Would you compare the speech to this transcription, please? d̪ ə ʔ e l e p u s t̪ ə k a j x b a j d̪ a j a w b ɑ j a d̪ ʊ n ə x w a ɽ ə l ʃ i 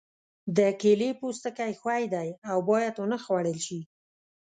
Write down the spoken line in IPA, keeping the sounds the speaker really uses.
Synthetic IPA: d̪ ə k e l e p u s t̪ ə k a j x w a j d̪ a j a w b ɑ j a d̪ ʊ n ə x w a ɽ ə l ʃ i